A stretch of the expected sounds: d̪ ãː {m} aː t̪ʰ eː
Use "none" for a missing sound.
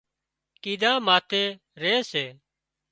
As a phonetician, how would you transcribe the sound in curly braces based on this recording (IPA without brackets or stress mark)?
m